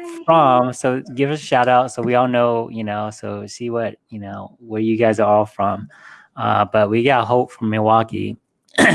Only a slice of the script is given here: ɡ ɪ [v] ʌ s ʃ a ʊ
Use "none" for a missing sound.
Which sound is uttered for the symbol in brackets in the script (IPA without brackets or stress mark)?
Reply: v